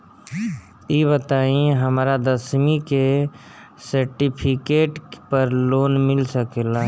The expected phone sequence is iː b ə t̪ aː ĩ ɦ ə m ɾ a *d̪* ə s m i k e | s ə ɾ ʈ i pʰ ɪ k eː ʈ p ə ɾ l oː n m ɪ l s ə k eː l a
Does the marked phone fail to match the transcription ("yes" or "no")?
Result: no